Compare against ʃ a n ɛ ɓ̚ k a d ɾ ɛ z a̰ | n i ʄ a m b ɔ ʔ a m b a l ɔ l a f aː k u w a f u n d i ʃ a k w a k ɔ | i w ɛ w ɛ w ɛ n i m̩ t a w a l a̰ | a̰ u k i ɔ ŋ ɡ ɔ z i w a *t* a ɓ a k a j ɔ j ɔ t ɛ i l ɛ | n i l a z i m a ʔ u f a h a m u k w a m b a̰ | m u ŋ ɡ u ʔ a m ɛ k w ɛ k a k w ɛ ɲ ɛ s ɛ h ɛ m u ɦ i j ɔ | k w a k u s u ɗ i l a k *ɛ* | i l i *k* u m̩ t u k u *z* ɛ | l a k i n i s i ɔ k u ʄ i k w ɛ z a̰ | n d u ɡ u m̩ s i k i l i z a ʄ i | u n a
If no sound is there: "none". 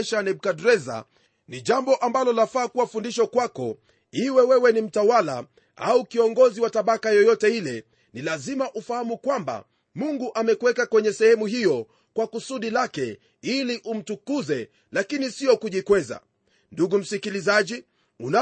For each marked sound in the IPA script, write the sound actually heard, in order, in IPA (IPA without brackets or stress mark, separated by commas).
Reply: t, ɛ, ʔ, z